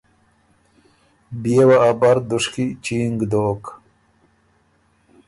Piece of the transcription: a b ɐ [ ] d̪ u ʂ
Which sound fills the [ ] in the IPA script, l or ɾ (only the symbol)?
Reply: ɾ